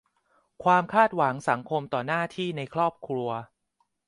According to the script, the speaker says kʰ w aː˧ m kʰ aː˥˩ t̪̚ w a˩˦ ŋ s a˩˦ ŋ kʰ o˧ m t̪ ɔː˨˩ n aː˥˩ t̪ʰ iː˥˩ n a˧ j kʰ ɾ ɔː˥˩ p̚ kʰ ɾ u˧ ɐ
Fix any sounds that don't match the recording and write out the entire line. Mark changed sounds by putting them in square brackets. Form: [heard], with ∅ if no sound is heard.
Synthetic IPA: kʰ w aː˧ m kʰ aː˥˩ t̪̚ w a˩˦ ŋ s a˩˦ ŋ kʰ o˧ m t̪ ɔː˨˩ n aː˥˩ t̪ʰ iː˥˩ n a˧ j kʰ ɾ ɔː˥˩ p̚ kʰ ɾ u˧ ɐ